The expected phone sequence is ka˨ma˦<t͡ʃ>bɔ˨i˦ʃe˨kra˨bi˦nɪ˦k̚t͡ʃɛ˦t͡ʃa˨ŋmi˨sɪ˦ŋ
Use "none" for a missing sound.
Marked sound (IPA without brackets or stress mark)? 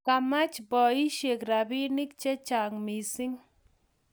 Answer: t͡ʃ